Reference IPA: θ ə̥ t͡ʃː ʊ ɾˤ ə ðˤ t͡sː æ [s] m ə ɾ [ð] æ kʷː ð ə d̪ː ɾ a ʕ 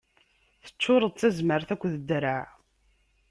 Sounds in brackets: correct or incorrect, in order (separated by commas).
incorrect, incorrect